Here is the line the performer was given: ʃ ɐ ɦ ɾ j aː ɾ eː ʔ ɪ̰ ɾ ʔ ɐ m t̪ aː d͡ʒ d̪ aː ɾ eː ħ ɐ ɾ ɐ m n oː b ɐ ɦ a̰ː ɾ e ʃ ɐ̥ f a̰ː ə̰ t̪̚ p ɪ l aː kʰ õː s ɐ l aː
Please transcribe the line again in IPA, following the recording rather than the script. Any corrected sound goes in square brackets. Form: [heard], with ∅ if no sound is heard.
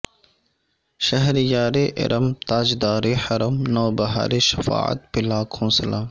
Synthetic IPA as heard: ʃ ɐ ɦ ɾ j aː ɾ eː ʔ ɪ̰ ɾ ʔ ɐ m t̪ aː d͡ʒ d̪ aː ɾ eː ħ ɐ ɾ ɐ m n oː b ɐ ɦ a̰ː ɾ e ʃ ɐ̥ f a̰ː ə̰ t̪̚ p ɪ l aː kʰ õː s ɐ l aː